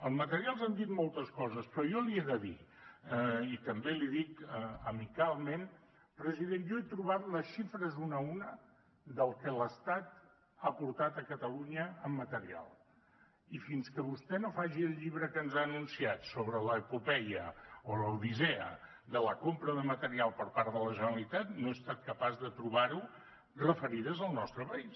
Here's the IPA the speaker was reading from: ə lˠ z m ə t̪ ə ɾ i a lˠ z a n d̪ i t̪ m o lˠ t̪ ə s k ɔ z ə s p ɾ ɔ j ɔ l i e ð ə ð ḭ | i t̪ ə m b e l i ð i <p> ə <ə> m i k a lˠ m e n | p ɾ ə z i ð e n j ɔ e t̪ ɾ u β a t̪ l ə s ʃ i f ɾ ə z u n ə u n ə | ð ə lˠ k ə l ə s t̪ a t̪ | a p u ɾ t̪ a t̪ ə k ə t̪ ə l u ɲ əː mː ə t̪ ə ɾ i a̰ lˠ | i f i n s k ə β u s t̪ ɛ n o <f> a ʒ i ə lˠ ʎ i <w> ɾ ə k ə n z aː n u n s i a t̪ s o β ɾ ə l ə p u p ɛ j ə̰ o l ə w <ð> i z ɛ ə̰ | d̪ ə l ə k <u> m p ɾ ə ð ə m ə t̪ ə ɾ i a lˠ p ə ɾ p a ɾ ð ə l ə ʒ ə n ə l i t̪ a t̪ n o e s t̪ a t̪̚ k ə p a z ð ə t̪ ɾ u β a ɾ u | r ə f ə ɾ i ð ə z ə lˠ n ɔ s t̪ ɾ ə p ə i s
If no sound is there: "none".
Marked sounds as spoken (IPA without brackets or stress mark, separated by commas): k, ə, f, β, ð, o